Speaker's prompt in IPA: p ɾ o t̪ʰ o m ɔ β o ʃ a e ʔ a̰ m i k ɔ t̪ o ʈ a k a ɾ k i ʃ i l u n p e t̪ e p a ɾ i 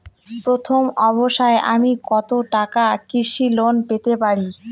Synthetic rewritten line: p ɾ o t̪ʰ o m ɔ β o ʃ a e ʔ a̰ m i k ɔ t̪ o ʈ a k a k i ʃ i l o n p e t̪ e p a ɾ i